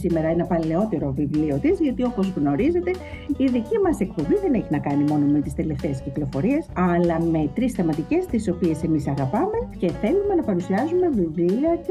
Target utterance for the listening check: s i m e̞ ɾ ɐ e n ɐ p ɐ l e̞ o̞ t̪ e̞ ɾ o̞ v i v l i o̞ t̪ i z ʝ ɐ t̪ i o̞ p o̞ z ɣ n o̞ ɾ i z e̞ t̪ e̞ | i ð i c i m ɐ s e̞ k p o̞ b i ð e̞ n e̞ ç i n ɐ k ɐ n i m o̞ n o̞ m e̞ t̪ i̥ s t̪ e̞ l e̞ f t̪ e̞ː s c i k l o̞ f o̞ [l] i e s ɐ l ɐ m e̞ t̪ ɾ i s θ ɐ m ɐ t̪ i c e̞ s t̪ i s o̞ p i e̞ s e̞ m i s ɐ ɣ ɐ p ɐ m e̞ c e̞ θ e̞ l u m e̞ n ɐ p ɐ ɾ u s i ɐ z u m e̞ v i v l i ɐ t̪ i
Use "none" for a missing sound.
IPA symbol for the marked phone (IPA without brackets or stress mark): ɾ